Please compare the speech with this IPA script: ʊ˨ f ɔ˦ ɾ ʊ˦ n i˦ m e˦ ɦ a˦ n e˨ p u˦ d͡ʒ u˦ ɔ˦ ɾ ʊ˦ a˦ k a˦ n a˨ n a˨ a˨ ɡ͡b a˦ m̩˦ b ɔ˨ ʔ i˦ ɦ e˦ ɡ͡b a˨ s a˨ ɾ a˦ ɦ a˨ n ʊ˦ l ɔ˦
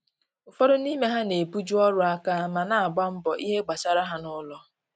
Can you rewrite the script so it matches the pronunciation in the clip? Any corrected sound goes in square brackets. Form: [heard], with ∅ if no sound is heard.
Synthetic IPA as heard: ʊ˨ f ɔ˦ ɾ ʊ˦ n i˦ m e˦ ɦ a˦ n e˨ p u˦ d͡ʒ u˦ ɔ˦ ɾ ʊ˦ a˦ k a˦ [m] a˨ n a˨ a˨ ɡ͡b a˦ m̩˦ b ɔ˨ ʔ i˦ ɦ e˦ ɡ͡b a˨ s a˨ ɾ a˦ ɦ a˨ n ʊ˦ l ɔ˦